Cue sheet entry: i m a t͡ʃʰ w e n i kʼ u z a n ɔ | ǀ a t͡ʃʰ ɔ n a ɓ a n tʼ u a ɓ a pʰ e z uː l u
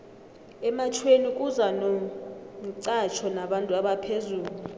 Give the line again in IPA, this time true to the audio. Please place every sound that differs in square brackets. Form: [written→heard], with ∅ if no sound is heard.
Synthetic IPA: [i→ɛ] m a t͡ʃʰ w e n i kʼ u z a n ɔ | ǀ a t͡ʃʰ ɔ n a ɓ a n tʼ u a ɓ a pʰ e z uː l u